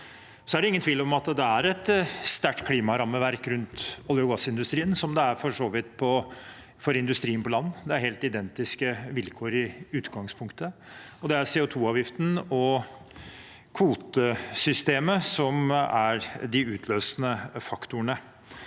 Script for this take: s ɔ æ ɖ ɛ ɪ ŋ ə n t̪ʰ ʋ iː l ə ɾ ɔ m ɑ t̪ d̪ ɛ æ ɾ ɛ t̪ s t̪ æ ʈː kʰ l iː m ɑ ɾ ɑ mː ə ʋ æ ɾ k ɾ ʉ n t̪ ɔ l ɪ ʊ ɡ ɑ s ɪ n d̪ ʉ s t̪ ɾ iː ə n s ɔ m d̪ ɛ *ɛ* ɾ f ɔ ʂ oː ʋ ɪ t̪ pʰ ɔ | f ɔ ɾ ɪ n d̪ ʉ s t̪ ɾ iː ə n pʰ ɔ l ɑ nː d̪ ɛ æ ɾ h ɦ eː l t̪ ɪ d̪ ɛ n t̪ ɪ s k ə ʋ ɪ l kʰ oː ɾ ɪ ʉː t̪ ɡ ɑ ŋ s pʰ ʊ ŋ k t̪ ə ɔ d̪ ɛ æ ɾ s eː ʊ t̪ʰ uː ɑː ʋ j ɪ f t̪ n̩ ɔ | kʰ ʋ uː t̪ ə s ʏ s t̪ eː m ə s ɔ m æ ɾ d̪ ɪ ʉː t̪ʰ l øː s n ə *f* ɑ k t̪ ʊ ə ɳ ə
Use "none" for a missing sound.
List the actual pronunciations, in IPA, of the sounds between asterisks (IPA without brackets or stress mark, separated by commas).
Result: æ, f